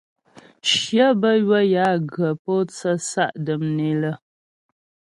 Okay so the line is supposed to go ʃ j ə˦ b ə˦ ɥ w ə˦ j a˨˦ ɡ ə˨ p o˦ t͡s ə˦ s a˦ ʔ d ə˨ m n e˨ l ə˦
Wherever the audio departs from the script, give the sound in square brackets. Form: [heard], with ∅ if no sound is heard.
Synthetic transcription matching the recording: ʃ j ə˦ b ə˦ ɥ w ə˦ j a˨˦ ɡ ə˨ p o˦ t͡s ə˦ s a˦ ʔ d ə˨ m n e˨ l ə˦

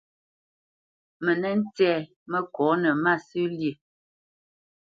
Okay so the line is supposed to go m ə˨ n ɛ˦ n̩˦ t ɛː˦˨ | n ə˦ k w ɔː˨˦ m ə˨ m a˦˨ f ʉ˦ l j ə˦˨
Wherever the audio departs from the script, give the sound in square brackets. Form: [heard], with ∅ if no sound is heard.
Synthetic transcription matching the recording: m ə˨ n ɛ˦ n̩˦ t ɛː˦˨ | [m] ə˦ k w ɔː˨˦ [n] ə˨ m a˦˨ [s] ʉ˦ l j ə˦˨

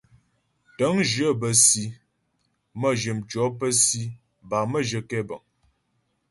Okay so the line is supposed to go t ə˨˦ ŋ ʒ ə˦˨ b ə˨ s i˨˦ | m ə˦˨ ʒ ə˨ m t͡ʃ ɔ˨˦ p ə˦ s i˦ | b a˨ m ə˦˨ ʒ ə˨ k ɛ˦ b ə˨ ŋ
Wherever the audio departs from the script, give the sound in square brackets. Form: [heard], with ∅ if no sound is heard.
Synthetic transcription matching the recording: t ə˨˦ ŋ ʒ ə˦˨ b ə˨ s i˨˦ | m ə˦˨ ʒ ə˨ m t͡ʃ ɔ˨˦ p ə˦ s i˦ | b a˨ m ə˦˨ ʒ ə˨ k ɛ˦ b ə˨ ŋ

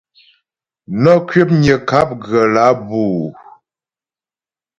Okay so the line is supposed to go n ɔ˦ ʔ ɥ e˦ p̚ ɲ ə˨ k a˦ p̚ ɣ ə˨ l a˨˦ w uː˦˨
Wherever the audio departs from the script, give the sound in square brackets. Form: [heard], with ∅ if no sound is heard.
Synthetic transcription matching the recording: n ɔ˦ [k] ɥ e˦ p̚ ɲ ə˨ k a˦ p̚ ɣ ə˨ l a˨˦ [b] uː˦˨

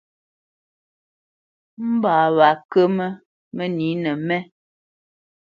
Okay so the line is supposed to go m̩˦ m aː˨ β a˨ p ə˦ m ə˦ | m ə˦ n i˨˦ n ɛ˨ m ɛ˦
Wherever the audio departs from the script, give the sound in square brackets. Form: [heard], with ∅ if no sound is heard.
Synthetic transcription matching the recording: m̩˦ [b] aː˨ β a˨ [k] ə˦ m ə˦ | m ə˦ n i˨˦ n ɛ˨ m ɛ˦

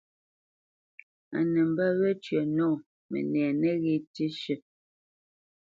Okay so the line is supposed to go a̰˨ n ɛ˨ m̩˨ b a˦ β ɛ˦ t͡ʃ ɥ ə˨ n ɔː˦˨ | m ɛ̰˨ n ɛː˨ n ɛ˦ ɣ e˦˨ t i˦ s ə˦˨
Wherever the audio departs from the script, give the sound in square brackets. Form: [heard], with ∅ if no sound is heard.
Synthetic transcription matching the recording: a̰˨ n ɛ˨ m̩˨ b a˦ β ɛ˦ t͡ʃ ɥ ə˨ n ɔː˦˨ | m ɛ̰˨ n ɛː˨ n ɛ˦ ɣ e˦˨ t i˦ [ʃ] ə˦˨

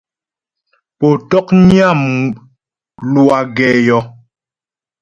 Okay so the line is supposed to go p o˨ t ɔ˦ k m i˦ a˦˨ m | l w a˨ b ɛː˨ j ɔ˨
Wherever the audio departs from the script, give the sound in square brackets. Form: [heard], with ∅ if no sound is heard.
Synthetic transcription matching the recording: p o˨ t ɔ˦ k [ɲ] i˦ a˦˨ m | l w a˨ [ɡ] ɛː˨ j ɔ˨

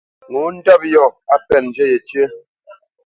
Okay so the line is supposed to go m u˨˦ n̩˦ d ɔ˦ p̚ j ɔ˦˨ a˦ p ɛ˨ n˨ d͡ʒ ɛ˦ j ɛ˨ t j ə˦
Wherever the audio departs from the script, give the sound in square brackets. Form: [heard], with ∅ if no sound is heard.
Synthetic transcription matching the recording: [ŋ] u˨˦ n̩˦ d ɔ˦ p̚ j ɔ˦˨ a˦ p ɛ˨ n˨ d͡ʒ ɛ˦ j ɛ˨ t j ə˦

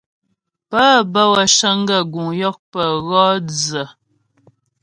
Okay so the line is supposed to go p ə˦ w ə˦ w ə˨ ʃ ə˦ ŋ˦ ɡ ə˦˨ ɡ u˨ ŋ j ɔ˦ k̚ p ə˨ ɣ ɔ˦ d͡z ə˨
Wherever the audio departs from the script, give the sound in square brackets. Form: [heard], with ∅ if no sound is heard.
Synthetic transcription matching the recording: p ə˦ [b] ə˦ w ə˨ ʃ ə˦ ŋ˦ ɡ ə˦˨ ɡ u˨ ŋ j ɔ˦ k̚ p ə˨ ɣ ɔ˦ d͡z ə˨

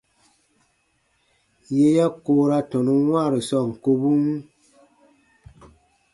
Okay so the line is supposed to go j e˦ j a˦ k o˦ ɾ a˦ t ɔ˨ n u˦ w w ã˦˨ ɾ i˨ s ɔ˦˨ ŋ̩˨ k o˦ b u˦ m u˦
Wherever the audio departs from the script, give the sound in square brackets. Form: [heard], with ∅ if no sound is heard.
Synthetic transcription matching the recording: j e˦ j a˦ k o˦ ɾ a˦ t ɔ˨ n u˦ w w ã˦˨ ɾ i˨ s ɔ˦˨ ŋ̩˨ k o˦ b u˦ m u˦

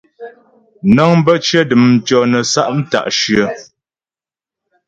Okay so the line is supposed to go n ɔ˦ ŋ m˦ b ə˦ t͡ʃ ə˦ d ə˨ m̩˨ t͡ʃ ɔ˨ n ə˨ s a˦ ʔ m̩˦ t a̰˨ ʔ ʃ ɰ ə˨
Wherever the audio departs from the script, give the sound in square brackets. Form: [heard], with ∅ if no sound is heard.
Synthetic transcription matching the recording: n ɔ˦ ŋ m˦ b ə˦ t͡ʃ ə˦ d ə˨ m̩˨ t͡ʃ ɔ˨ n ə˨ s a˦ ʔ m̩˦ t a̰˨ ʔ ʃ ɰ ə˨

